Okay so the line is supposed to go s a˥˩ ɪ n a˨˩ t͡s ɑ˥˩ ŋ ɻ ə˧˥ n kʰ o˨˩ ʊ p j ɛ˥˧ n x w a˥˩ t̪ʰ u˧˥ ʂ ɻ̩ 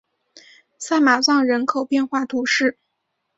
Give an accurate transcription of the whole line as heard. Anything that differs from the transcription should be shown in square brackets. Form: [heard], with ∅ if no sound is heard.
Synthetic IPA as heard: s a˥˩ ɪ [m] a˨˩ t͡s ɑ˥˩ ŋ ɻ ə˧˥ n kʰ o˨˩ ʊ p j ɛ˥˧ n x w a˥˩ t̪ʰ u˧˥ ʂ ɻ̩